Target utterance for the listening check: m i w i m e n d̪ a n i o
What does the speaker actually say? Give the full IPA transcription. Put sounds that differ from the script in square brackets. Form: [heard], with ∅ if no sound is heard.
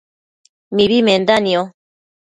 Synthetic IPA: m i [β] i m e n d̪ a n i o